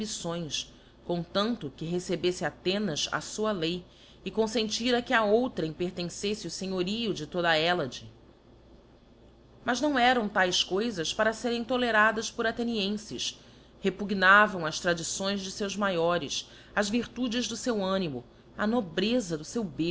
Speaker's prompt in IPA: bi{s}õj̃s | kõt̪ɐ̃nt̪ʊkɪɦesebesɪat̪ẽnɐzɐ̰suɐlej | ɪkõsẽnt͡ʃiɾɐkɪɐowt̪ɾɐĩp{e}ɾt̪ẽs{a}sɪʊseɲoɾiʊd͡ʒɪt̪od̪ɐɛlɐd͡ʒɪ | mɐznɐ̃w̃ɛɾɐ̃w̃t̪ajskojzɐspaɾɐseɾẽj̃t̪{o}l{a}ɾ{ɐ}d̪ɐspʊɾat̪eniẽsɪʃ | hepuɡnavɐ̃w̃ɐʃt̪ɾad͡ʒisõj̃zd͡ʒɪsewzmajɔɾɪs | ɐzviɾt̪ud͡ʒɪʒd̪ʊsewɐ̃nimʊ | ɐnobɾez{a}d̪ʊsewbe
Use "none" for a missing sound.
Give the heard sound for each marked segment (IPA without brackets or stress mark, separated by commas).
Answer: s, e, e, o, e, a, ɐ